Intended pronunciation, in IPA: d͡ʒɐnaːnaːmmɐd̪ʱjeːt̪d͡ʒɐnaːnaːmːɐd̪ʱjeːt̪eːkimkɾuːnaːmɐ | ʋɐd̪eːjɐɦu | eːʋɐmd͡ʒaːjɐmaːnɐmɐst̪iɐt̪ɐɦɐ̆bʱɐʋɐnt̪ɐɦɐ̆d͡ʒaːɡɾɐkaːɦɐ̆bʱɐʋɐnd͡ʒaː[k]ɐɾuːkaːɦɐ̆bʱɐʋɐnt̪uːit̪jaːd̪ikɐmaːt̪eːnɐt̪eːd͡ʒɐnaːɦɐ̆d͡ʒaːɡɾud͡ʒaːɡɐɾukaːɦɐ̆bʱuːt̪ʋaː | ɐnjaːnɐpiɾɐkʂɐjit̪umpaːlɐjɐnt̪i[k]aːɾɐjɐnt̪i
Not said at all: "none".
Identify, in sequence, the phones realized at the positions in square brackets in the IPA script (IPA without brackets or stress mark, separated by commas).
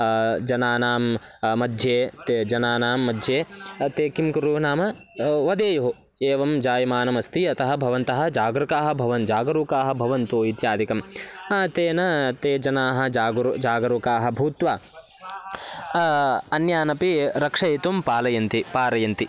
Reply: ɡ, p